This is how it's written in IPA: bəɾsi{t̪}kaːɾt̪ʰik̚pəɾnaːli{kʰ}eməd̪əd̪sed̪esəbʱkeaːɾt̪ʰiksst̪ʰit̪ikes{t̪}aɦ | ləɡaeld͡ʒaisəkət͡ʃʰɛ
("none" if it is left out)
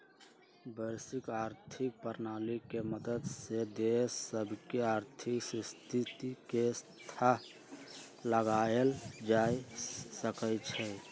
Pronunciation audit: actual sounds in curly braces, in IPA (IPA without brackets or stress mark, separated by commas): none, k, t̪ʰ